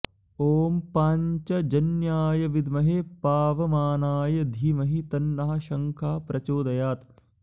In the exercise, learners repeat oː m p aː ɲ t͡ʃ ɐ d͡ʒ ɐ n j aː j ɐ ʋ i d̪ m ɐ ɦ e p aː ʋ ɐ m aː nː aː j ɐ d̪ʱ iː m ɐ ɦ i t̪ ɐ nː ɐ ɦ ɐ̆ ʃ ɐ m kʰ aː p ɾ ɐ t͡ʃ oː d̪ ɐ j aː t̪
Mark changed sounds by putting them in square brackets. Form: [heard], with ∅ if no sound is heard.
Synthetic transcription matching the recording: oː m p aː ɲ t͡ʃ ɐ d͡ʒ ɐ n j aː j ɐ ʋ i d̪ m ɐ ɦ e p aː ʋ ɐ m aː [n] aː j ɐ d̪ʱ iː m ɐ ɦ i t̪ ɐ nː ɐ ɦ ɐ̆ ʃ ɐ [ŋ] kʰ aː p ɾ ɐ t͡ʃ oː d̪ ɐ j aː t̪